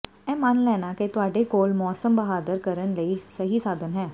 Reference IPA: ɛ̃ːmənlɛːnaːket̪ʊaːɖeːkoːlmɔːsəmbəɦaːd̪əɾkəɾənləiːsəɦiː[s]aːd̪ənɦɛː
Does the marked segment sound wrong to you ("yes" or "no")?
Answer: no